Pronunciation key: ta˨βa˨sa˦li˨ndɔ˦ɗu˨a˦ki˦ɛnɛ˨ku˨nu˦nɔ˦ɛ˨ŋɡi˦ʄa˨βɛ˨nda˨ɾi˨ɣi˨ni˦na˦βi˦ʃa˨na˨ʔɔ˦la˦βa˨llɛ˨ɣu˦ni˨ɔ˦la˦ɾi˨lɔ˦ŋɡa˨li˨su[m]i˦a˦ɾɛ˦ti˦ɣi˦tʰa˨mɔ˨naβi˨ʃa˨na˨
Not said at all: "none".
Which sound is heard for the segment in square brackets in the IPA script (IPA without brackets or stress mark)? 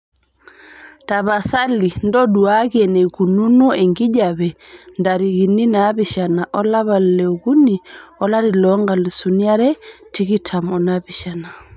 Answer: n